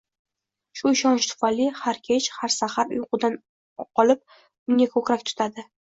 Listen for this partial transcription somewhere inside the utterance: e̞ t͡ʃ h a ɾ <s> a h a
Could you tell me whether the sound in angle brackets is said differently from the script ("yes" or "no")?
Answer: no